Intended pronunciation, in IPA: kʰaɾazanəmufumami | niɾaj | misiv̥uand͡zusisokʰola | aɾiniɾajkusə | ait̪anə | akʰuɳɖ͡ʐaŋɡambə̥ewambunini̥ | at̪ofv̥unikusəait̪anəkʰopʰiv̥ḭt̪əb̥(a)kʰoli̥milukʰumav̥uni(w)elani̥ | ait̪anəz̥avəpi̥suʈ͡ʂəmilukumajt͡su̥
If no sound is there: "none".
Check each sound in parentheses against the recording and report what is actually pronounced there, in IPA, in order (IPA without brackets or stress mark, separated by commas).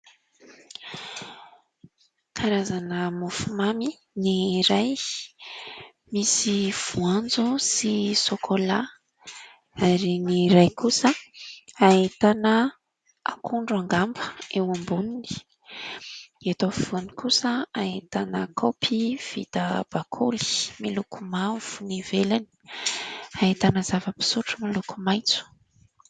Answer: a, v